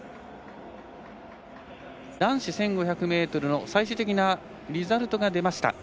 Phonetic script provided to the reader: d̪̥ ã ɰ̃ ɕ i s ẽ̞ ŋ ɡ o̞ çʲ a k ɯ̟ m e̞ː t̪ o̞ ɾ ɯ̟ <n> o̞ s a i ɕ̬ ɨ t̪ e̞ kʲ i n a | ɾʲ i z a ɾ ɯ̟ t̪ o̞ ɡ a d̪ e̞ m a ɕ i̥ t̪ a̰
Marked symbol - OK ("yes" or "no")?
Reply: yes